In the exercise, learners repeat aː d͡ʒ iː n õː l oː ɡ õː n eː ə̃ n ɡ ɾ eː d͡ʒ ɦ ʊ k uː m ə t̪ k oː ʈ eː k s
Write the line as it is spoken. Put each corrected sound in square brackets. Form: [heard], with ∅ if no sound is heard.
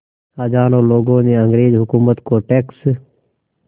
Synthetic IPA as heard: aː d͡ʒ [aː] n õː l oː ɡ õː n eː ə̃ [ŋ] ɡ ɾ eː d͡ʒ ɦ ʊ k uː m ə t̪ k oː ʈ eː k s